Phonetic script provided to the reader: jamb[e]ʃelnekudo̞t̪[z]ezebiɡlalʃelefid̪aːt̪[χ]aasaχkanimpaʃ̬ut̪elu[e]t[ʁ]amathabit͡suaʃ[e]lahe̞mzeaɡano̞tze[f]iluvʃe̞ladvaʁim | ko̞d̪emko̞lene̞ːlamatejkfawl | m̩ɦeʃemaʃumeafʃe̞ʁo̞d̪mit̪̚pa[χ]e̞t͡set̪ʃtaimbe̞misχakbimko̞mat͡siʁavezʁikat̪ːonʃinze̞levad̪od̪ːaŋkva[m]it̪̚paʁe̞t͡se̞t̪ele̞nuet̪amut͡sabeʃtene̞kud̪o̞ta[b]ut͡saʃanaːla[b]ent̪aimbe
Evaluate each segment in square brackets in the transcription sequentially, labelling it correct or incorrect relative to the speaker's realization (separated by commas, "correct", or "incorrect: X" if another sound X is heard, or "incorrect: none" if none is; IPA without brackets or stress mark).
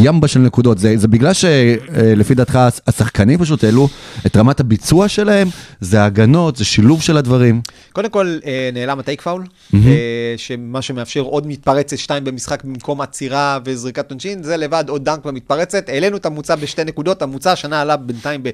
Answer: incorrect: a, correct, correct, correct, correct, correct, incorrect: ʃ, incorrect: ʁ, correct, incorrect: m, correct